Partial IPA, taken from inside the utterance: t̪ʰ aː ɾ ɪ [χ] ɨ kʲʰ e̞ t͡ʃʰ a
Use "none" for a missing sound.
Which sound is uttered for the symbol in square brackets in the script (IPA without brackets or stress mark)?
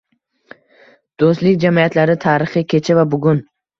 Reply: χ